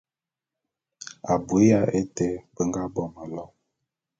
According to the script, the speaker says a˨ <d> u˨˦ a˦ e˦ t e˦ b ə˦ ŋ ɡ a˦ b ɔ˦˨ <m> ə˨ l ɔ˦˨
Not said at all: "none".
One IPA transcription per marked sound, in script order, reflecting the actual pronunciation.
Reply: b, m

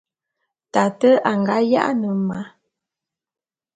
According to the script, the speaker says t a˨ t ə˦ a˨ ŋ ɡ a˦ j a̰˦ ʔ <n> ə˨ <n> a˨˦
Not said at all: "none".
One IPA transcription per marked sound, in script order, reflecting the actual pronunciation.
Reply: n, m

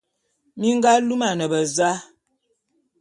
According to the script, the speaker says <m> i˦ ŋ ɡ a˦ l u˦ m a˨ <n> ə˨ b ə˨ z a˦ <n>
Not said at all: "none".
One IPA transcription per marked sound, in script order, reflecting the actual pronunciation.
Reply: m, n, none

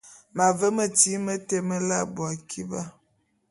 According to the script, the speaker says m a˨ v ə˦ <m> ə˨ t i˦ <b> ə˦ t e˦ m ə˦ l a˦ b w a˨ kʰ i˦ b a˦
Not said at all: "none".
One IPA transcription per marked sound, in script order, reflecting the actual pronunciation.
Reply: m, m

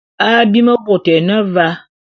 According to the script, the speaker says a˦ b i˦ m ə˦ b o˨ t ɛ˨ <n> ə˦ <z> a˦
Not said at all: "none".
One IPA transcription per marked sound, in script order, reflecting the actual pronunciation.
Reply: n, v

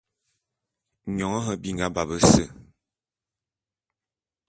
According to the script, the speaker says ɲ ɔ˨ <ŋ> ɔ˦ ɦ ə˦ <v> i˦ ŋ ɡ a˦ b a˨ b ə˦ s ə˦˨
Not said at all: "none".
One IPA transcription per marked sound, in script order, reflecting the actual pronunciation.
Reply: ŋ, b

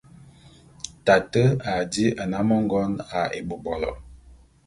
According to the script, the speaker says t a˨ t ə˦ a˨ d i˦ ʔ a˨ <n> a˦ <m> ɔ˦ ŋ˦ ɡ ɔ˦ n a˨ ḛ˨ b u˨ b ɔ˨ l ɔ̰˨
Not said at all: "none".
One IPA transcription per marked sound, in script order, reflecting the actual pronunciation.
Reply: n, m

